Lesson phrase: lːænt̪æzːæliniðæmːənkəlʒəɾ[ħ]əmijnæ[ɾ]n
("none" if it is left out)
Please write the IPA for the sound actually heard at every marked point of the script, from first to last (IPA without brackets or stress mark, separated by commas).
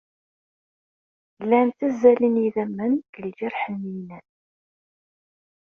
ħ, none